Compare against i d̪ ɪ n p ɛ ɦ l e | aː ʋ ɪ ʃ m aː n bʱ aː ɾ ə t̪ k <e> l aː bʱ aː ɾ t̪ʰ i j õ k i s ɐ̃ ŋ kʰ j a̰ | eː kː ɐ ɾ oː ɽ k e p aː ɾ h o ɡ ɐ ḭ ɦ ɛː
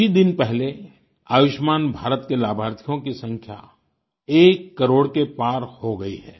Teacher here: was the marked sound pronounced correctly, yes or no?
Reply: yes